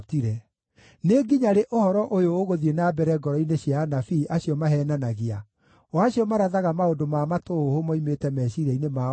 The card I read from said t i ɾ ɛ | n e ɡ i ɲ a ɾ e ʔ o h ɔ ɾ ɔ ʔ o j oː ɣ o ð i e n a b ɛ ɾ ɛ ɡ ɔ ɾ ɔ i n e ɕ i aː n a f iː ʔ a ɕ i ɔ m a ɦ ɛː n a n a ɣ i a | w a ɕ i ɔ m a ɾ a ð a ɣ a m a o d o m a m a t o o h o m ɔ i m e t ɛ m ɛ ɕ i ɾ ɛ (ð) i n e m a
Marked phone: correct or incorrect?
incorrect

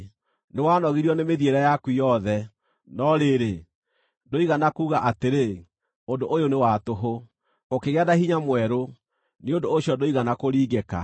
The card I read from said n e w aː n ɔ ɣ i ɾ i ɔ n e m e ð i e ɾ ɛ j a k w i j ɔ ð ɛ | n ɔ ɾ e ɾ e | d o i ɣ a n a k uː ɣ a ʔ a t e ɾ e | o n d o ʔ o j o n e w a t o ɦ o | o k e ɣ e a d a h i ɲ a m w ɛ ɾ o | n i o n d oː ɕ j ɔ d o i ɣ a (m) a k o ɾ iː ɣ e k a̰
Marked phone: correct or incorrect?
incorrect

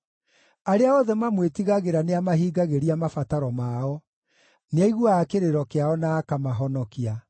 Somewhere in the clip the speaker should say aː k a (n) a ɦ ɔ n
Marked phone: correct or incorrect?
incorrect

